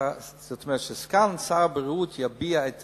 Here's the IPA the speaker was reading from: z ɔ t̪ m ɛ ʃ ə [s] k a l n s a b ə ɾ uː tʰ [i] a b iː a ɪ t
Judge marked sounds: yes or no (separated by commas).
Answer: yes, no